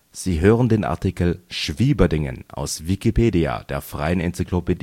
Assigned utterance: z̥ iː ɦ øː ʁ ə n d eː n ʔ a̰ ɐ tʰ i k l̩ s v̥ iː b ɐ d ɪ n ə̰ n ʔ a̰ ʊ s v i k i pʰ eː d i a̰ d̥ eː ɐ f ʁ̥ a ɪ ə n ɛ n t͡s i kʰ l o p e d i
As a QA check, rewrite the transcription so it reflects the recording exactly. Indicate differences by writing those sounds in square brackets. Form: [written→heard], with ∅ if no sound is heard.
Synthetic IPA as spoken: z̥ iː ɦ øː ʁ ə n d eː n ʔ a̰ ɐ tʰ i k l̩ [s→ʃ] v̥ iː b ɐ d ɪ [n→ŋ] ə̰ n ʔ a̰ ʊ s v i k i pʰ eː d i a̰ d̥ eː ɐ f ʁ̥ a ɪ ə n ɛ n t͡s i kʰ l o p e d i